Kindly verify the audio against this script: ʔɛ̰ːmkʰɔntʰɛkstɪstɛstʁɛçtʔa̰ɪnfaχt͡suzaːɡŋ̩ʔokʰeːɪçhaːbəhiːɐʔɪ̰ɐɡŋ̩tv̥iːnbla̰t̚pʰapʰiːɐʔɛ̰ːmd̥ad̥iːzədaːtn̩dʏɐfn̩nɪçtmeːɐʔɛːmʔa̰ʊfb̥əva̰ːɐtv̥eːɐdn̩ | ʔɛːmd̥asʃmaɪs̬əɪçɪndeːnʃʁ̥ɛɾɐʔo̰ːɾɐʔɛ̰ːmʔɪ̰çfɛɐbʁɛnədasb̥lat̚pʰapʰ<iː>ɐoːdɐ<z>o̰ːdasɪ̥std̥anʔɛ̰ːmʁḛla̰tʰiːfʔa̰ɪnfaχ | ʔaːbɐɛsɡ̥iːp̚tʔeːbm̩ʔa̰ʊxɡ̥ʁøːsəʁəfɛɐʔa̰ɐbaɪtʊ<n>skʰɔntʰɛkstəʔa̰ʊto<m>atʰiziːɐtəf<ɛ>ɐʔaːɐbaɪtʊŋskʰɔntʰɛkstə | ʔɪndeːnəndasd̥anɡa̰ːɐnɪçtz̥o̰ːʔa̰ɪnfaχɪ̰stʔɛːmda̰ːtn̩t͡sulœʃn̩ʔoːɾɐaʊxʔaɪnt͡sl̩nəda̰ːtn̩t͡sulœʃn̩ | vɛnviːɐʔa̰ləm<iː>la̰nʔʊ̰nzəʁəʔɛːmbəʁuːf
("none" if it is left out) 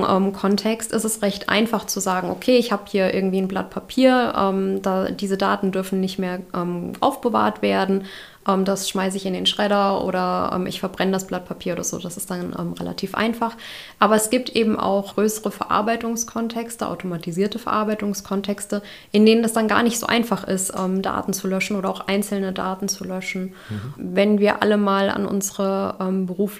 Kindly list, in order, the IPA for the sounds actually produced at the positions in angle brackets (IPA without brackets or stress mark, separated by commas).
iː, z, ŋ, m, ɛ, aː